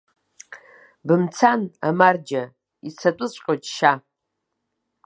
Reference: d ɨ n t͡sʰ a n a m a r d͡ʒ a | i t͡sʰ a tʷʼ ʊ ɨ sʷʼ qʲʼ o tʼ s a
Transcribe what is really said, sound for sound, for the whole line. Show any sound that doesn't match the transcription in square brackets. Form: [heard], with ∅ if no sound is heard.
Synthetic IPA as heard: [b] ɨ [m] t͡sʰ a n a m a r d͡ʒ a | i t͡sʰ a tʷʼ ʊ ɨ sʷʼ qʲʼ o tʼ [ʃ] a

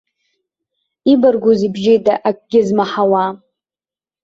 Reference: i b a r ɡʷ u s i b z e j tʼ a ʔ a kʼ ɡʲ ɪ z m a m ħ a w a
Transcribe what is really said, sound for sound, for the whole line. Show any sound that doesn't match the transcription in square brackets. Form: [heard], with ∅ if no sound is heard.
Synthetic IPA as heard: i b a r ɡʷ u [z] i b [ʒ] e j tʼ a ʔ a kʼ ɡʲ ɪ z m a [∅] ħ a w a

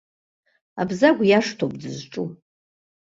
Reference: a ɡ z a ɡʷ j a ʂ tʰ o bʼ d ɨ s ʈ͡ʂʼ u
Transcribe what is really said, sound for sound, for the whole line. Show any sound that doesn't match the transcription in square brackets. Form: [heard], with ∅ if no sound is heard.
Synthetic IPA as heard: a [b] z a ɡʷ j a ʂ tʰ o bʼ d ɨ [z] ʈ͡ʂʼ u

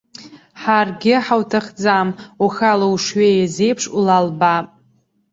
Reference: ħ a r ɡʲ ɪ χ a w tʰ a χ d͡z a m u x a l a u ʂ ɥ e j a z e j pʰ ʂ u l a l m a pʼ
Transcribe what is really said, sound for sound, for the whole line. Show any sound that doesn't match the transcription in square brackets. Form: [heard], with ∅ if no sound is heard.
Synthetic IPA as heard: ħ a r ɡʲ ɪ [ħ] a w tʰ a χ d͡z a m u x a l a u ʂ ɥ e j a z e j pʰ ʂ u l a l [b] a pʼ

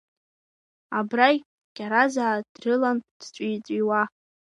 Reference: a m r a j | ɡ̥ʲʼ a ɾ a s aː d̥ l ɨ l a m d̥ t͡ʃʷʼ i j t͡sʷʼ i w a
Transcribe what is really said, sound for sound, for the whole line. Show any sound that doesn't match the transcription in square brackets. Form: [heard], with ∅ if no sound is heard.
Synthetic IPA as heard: a [b] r a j | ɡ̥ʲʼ a ɾ a [z] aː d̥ [r] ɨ l a [n] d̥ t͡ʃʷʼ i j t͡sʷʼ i w a

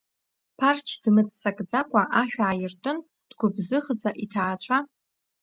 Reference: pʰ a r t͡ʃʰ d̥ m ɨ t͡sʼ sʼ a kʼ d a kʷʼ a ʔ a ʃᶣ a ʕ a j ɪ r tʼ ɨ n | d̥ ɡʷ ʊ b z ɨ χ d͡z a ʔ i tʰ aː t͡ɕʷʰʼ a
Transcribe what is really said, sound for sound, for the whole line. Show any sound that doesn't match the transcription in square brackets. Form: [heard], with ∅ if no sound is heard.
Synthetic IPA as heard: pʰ a r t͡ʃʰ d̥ m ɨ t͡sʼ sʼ a kʼ [d͡z] a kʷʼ a ʔ a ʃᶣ a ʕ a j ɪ r tʼ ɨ n | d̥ ɡʷ ʊ b z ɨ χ d͡z a ʔ i tʰ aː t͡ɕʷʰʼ a

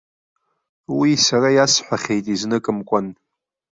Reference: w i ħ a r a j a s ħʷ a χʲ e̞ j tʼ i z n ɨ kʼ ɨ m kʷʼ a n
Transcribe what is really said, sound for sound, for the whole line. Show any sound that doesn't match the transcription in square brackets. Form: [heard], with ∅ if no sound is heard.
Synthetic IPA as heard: w i [s] a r a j a s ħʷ a χʲ e̞ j tʼ i z n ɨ kʼ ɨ m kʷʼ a n

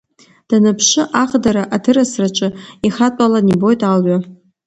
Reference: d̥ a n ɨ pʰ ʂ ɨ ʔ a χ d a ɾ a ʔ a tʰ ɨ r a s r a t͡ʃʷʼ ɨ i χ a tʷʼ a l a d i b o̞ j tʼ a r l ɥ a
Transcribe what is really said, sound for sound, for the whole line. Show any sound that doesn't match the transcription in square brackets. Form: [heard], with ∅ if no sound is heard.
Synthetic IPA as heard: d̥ a n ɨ pʰ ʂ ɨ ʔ a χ d a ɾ a ʔ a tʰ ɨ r a s r a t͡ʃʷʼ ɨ i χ a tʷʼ a l a [n] i b o̞ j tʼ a [∅] l ɥ a

